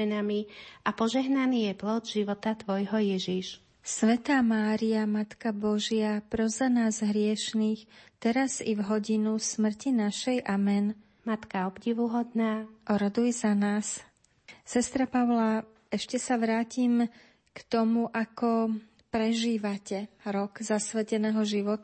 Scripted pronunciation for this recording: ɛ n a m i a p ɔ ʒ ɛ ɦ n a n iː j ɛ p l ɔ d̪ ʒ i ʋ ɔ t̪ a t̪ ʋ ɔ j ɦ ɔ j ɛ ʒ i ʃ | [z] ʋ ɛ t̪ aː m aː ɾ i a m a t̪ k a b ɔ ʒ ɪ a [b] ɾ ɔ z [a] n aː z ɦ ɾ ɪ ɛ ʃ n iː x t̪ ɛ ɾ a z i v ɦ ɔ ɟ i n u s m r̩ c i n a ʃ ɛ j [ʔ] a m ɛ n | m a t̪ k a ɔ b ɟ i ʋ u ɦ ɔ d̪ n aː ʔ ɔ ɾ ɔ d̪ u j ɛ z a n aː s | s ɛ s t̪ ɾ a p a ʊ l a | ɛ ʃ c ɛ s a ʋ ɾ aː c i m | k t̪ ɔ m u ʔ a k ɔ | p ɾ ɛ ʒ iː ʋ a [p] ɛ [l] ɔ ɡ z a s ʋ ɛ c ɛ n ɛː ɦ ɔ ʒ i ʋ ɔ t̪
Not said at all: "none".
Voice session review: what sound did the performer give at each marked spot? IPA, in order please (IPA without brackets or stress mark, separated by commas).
s, p, a, ʔ, c, ɾ